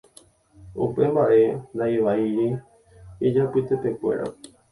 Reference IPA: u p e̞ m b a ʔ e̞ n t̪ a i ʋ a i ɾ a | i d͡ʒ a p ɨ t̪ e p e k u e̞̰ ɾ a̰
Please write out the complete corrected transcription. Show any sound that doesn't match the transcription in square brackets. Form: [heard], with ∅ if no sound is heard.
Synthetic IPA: u p e̞ m b a ʔ e̞ n [d̪] a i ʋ a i ɾ [i] | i d͡ʒ a p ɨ t̪ e p e k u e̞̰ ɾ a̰

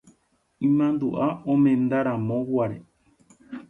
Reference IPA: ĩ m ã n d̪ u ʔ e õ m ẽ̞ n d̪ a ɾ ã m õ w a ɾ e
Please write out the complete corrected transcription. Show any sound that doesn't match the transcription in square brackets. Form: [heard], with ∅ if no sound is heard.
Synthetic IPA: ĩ m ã n d̪ u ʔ [a] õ m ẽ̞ n d̪ a ɾ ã m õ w a ɾ e

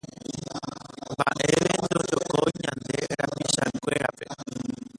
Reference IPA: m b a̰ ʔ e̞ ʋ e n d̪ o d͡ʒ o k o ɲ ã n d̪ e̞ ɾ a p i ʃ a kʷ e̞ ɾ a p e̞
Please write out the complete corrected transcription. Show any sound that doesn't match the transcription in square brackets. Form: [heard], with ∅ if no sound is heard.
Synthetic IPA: m b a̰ ʔ e̞ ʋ e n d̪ o d͡ʒ o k o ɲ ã n d̪ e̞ ɾ a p i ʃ a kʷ e̞ ɾ a p e̞

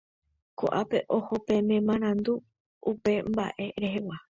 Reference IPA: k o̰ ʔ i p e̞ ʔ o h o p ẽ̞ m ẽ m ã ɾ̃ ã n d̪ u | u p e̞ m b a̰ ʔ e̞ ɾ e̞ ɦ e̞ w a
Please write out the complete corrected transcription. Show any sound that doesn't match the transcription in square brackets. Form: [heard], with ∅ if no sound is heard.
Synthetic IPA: k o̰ ʔ [a] p e̞ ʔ o h o p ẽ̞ m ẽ m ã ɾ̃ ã n d̪ u | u p e̞ m b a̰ ʔ e̞ ɾ e̞ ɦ e̞ w a

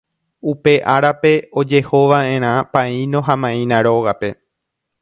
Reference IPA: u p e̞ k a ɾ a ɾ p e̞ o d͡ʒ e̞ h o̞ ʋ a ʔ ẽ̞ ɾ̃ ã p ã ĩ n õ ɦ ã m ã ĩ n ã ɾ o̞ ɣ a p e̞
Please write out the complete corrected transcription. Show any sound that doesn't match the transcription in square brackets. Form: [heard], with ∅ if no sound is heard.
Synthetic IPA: u p e̞ [ʔ] a ɾ a [∅] p e̞ o d͡ʒ e̞ h o̞ ʋ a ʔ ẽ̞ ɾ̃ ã p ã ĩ n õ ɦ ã m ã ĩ n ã ɾ o̞ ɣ a p e̞

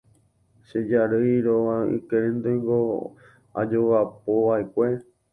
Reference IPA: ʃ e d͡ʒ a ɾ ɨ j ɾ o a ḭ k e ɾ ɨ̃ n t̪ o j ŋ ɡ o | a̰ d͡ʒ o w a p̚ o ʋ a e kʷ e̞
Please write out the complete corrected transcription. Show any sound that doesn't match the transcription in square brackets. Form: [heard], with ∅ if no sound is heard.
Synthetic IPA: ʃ e d͡ʒ a ɾ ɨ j ɾ o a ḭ k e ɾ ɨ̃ n [d̪] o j ŋ ɡ o | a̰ d͡ʒ o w a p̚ o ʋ a e kʷ e̞

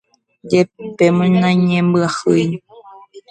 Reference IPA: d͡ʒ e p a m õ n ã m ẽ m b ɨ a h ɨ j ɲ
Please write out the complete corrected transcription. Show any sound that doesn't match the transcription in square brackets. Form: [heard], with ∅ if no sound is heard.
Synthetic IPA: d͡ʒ e p [e] m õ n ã [ɲ] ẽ m b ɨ a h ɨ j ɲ

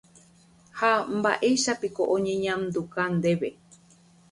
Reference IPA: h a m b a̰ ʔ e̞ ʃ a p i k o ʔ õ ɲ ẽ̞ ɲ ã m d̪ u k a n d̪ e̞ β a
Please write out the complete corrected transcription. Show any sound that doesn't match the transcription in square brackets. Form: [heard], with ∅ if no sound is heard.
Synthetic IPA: h a m b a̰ ʔ e̞ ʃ a p i k o ʔ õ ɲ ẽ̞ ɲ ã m d̪ u k a n d̪ e̞ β [e]

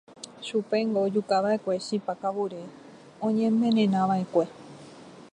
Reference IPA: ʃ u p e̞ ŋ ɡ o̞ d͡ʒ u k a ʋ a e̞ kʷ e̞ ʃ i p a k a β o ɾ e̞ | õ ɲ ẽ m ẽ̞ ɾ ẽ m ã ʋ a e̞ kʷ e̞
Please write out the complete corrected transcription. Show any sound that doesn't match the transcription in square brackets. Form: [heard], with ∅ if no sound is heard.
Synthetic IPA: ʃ u p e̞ ŋ ɡ o̞ d͡ʒ u k a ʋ a e̞ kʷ e̞ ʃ i p a k a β [u] ɾ e̞ | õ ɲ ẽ m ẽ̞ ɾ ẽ [n] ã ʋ a e̞ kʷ e̞

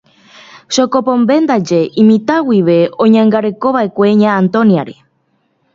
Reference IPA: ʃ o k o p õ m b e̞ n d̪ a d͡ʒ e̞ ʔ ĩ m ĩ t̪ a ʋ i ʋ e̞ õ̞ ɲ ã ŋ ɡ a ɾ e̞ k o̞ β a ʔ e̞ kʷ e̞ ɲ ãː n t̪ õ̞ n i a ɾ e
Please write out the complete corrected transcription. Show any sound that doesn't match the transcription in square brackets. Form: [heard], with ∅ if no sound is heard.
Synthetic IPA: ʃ o k o p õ m b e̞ n d̪ a d͡ʒ e̞ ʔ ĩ m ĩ t̪ a [w] i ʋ e̞ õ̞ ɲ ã ŋ ɡ a ɾ e̞ k o̞ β a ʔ e̞ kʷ e̞ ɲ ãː n t̪ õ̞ n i a ɾ e

